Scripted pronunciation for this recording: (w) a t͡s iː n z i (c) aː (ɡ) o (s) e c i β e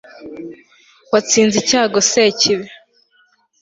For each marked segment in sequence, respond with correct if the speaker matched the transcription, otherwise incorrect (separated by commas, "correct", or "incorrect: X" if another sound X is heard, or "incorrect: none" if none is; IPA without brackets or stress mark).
correct, correct, correct, correct